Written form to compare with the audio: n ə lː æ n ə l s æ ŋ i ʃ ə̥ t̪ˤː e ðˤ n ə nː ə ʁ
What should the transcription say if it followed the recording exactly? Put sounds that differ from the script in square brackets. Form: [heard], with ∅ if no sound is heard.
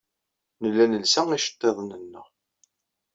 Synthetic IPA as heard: n ə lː æ n ə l s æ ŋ i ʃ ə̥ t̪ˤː e ðˤ n ə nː ə ʁ